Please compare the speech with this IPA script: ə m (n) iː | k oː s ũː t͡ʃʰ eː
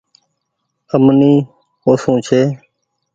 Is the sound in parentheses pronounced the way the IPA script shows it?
yes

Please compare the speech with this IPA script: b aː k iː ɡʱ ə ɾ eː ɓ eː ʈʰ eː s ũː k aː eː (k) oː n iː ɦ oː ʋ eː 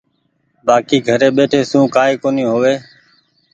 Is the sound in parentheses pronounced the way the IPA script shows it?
yes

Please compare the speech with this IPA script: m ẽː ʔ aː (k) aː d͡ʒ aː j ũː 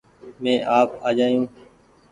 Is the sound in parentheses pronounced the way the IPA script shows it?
no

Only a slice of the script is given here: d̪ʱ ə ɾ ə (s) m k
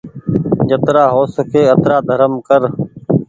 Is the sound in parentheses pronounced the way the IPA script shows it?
no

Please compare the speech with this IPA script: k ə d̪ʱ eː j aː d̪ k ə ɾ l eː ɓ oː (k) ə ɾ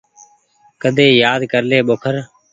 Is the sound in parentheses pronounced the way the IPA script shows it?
no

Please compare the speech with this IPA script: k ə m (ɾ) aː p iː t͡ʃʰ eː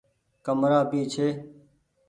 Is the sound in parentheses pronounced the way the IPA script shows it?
yes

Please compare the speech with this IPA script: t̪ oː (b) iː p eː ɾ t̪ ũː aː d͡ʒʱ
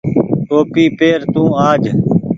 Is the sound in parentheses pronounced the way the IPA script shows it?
no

